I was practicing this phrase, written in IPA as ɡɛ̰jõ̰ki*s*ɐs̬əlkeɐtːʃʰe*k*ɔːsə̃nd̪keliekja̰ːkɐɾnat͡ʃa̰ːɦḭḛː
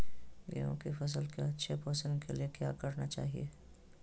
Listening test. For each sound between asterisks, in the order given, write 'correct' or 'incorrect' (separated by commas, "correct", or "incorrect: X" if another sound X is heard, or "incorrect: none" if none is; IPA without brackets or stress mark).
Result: incorrect: f, incorrect: p